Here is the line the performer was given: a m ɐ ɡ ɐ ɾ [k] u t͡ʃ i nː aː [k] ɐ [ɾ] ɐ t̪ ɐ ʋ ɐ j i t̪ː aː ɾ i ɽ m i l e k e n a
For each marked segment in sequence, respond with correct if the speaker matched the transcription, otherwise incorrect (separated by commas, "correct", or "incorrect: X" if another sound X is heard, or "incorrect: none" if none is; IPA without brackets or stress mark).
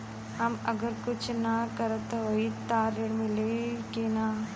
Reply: correct, correct, correct